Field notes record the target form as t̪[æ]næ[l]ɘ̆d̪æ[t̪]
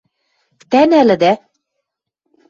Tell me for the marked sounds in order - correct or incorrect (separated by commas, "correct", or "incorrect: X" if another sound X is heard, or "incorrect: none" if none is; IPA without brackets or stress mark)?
correct, correct, incorrect: none